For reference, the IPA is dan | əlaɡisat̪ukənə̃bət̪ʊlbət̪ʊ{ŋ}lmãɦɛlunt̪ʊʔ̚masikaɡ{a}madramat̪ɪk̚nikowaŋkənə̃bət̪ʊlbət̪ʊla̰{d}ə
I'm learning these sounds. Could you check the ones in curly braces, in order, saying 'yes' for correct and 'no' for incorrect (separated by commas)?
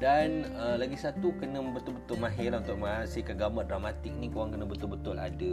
no, yes, yes